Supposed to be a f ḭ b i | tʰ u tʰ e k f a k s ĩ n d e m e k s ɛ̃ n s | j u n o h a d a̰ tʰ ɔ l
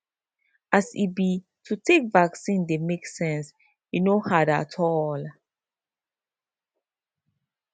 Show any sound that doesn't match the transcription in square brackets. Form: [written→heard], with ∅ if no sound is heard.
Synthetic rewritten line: a [f→s] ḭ b i | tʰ u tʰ e k [f→v] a k s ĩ n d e m e k s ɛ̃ n s | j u n o h a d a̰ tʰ ɔ l